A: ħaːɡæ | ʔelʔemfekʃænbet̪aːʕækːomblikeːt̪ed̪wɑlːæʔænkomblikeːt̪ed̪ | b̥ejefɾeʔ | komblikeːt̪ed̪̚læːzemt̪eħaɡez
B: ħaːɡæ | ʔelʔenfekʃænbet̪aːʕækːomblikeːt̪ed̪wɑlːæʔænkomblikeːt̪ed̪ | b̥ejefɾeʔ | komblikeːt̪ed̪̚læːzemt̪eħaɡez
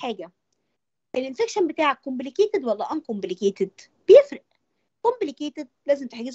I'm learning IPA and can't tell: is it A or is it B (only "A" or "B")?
B